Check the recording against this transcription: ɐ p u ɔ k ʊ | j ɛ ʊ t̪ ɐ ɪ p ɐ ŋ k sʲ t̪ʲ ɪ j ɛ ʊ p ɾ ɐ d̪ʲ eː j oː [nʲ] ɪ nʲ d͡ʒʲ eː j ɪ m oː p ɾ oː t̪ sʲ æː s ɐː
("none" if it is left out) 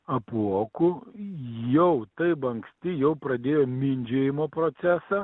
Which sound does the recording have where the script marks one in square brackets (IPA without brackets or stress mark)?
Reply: mʲ